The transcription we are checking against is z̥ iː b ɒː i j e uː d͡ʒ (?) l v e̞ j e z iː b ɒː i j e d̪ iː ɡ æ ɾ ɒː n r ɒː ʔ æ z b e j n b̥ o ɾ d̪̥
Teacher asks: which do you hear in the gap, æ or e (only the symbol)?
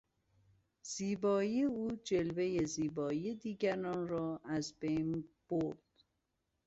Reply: e